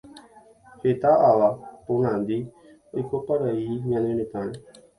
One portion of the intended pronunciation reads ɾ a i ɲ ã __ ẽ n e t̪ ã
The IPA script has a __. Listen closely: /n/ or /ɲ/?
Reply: n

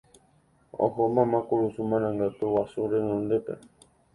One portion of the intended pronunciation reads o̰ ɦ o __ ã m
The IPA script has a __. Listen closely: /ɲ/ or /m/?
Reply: m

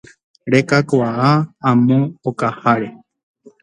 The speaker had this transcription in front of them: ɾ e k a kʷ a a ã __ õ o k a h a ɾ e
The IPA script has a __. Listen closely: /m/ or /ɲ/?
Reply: m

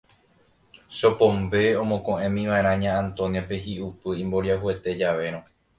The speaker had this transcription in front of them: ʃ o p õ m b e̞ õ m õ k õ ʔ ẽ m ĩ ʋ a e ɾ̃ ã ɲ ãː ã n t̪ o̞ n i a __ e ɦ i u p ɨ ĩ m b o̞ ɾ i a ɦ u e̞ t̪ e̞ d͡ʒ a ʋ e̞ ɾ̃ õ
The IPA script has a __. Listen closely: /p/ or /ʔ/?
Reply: p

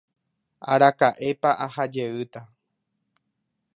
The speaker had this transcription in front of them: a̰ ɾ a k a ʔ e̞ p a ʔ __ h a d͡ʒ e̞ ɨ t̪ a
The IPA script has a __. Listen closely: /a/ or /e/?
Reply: a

